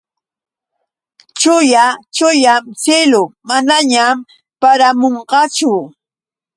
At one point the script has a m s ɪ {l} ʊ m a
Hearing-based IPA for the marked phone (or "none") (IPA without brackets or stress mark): l